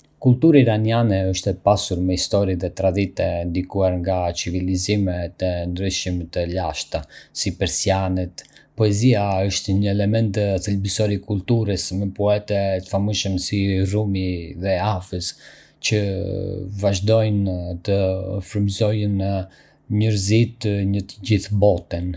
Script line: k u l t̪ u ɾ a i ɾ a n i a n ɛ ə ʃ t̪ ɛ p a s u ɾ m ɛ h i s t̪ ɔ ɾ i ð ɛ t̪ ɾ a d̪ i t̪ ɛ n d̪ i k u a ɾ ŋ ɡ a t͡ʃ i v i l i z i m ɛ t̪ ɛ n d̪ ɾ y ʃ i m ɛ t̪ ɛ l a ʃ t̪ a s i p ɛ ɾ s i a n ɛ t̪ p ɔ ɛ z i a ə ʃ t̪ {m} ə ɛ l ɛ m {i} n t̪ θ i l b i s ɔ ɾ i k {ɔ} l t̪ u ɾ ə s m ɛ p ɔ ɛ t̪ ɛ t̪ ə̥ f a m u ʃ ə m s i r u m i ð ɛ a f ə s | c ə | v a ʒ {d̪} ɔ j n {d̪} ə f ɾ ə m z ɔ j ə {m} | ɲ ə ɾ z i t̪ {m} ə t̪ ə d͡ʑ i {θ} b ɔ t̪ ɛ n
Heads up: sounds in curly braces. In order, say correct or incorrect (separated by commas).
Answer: incorrect, incorrect, incorrect, correct, incorrect, incorrect, incorrect, correct